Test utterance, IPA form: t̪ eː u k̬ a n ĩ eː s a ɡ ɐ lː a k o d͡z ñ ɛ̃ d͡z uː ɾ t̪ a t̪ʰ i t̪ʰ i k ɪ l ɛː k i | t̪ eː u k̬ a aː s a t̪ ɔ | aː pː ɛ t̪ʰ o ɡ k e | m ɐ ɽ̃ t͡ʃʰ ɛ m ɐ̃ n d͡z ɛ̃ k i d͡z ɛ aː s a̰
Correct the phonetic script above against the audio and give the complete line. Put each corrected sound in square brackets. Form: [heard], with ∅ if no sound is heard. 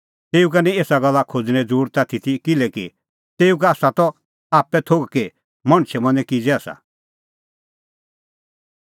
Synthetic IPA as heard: t̪ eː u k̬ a n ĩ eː s a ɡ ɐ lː a [kʰ] o d͡z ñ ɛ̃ d͡z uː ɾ t̪ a t̪ʰ i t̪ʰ i k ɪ l [ɛ] k i | t̪ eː u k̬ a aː s a t̪ ɔ | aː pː ɛ t̪ʰ o ɡ k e | m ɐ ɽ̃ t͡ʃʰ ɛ m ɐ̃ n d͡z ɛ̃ k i d͡z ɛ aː s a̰